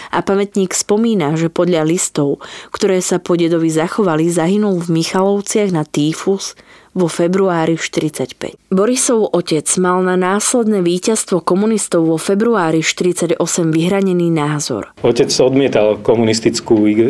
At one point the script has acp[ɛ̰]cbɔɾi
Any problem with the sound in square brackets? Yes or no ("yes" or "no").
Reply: no